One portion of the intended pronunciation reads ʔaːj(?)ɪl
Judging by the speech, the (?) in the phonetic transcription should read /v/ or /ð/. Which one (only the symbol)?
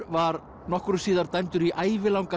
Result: v